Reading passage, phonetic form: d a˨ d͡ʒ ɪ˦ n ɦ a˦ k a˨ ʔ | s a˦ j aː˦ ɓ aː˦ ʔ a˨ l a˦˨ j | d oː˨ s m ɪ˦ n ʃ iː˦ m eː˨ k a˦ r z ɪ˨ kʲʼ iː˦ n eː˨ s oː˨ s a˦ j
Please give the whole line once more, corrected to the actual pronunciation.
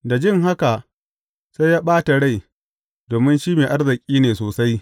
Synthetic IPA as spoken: d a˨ d͡ʒ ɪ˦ ŋ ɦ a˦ k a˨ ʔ | s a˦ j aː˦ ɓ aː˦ t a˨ ɽ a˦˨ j | d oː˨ m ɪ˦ n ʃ iː˦ m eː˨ ʔ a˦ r z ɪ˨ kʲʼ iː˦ n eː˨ s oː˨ s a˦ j

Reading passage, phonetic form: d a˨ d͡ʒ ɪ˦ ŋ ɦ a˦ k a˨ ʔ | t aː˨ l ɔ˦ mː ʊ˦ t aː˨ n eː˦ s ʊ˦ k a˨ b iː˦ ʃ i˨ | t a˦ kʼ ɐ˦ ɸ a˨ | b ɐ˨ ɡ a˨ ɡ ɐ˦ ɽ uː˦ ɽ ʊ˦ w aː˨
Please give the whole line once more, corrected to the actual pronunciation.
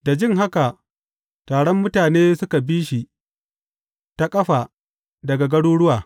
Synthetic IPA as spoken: d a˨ d͡ʒ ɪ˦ ŋ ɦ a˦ k a˨ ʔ | t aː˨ ɽ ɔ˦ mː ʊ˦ t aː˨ n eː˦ s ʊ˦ k a˨ b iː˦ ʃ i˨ | t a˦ kʼ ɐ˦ ɸ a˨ | d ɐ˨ ɡ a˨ ɡ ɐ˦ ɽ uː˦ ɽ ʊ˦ w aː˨

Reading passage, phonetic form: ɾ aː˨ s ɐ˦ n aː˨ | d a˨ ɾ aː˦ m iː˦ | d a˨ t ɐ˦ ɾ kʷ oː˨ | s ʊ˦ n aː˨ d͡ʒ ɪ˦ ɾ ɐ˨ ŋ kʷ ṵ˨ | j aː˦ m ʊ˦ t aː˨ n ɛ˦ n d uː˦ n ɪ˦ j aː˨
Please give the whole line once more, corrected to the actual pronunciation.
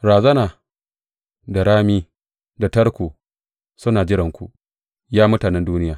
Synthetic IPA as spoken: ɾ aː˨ z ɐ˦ n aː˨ | d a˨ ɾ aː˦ m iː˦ | d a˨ t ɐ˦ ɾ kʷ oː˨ | s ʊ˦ n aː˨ d͡ʒ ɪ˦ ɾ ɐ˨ ŋ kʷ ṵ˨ | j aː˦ m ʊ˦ t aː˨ n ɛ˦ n d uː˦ n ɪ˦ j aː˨

